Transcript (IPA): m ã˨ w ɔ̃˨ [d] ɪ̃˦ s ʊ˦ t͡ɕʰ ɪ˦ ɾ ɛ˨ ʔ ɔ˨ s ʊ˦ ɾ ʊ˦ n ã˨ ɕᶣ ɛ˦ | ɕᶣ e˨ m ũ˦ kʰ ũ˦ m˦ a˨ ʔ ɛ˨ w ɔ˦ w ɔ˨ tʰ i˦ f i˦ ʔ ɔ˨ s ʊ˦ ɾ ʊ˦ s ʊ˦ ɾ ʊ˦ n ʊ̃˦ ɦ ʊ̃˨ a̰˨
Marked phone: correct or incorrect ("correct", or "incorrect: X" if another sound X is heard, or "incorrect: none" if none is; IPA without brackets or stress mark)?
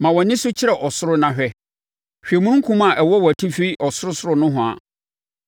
incorrect: n